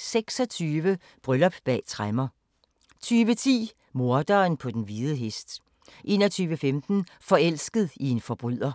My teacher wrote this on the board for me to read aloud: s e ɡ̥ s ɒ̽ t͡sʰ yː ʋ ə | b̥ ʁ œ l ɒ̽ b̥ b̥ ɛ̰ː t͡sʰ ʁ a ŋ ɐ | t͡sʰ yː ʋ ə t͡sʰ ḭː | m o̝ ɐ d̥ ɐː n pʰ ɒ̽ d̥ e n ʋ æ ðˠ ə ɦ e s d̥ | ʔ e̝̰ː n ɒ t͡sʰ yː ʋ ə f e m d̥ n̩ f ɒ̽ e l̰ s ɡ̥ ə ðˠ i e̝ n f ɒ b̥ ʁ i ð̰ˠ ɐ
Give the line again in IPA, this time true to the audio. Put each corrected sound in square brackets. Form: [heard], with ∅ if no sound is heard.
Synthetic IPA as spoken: s e ɡ̥ s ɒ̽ t͡sʰ yː ʋ ə | b̥ ʁ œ l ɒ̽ b̥ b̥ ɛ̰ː t͡sʰ ʁ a [m] ɐ | t͡sʰ yː ʋ ə t͡sʰ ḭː | m o̝ ɐ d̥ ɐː n pʰ ɒ̽ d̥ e n ʋ [i] ðˠ ə ɦ e s d̥ | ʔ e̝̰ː n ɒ t͡sʰ yː ʋ ə f e m d̥ n̩ f ɒ̽ e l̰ s ɡ̥ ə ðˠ i e̝ n f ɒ b̥ ʁ [y] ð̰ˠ ɐ